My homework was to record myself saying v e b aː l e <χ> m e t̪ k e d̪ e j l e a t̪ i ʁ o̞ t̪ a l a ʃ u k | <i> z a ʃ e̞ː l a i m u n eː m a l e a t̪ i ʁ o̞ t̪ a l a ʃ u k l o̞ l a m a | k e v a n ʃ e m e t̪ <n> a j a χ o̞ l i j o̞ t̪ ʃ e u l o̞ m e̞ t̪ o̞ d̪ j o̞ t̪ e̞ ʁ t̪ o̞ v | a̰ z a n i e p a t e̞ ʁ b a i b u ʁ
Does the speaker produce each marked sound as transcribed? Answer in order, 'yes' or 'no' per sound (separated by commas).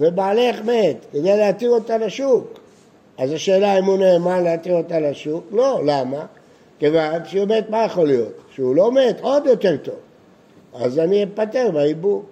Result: yes, no, no